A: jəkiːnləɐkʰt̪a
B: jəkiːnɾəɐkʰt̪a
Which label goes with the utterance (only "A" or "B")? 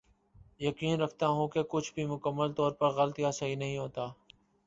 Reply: B